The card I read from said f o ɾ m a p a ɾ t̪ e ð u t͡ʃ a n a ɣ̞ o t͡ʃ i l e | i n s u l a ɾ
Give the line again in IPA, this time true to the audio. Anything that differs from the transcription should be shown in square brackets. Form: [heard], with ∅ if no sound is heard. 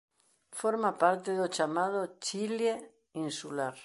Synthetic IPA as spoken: f o ɾ m a p a ɾ t̪ e ð [o] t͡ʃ a [m] a [ð̞] o t͡ʃ i l e | i n s u l a ɾ